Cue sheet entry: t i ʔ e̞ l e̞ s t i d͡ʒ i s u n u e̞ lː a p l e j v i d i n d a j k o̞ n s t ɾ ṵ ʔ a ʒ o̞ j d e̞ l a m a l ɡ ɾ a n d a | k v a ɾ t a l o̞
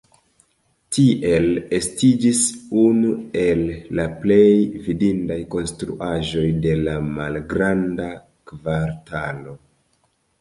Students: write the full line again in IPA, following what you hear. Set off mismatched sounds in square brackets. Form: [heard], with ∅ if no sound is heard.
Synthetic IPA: t i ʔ e̞ l e̞ s t i d͡ʒ i s u n u e̞ lː a p l e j v i d i n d a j k o̞ n s t ɾ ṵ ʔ a ʒ o̞ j d e̞ l a m a l ɡ ɾ a n d a | k v a ɾ t a l o̞